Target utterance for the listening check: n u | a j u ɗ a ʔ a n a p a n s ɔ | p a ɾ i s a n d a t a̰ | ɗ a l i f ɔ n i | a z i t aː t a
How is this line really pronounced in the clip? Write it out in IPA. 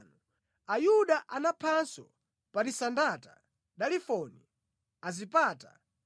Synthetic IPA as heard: n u | a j u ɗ a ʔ a n a pʰ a n s ɔ | p a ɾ i s a n d a t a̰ | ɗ a l i f ɔ n i | a z i p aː t a

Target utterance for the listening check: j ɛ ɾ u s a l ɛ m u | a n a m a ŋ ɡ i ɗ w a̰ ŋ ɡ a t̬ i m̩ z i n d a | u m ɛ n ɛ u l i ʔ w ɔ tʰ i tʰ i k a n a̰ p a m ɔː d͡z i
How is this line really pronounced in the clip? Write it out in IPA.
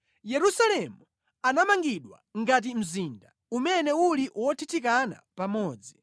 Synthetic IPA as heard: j ɛ ɾ u s a l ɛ m u | a n a m a ŋ ɡ i ɗ w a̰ ŋ ɡ a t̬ i m̩ z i n d a | u m ɛ n ɛ u l i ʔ w ɔ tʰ i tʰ i k a n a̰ p a m ɔː d͡z i

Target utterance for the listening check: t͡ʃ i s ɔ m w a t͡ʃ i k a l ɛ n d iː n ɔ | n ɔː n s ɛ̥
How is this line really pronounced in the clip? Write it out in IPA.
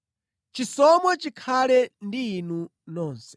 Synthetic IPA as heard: t͡ʃ i s ɔ m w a t͡ʃ i kʰ a l ɛ n d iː n u | n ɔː n s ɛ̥

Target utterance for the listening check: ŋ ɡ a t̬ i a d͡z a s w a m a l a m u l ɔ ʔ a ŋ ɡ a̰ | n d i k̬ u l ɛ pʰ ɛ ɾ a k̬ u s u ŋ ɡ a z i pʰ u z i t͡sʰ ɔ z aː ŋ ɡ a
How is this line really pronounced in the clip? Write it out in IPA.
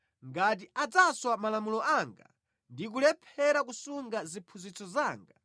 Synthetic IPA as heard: ŋ ɡ a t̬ i a d͡z a s w a m a l a m u l ɔ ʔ a ŋ ɡ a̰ | n d i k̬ u l ɛ pʰ ɛ ɾ a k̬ u s u ŋ ɡ a z i pʰ u z i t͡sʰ ɔ z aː ŋ ɡ a

